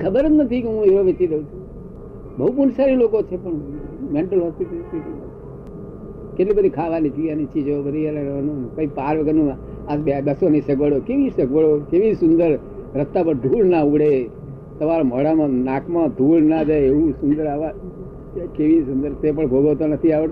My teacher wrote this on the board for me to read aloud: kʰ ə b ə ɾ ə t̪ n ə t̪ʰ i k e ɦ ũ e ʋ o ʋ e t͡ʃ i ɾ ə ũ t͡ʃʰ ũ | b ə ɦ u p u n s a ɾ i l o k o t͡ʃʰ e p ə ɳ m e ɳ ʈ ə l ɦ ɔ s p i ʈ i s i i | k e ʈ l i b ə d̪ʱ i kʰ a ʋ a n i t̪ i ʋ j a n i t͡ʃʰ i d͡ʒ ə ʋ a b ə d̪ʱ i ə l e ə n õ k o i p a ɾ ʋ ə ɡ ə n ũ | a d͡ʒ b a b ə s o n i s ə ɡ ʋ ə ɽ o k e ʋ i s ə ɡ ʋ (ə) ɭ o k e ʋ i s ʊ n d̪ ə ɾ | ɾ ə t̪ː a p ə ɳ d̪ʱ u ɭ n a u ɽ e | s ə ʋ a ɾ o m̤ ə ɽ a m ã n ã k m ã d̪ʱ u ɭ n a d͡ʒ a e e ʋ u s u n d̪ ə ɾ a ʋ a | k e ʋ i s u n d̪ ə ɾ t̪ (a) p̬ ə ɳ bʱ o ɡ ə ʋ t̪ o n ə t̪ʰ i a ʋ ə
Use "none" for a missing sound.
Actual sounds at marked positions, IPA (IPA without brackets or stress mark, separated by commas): ə, e